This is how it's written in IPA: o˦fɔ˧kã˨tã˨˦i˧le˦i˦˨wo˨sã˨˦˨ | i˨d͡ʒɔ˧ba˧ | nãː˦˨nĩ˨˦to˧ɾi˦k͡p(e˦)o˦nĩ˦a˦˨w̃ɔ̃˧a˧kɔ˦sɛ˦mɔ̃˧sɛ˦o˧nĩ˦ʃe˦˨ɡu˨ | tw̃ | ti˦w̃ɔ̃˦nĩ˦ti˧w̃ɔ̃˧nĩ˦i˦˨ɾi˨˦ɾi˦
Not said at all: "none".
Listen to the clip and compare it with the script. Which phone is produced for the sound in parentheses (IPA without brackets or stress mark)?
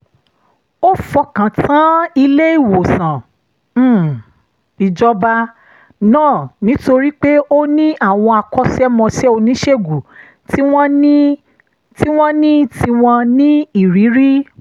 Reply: e˦